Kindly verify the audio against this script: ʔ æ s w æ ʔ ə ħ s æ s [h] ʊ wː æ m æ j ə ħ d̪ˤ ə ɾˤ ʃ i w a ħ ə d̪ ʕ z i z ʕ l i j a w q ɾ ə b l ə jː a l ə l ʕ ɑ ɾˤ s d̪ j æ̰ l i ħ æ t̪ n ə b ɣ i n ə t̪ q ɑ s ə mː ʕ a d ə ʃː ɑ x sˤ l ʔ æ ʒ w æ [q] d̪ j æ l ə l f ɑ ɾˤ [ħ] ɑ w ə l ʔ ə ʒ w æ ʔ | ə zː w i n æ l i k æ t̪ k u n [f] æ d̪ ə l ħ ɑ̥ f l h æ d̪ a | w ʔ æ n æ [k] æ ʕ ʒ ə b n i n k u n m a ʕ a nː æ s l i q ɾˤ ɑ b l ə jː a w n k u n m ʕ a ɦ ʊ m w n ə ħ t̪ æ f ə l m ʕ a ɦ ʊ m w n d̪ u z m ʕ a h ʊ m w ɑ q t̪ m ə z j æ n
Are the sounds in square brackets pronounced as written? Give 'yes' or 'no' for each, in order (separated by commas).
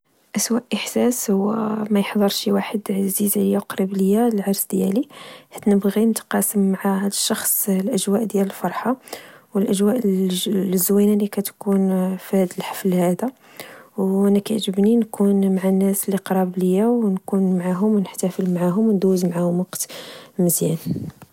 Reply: yes, no, yes, yes, yes